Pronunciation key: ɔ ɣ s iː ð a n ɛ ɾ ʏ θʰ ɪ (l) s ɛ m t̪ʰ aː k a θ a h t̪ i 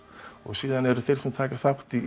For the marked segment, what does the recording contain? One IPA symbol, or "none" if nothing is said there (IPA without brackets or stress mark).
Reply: l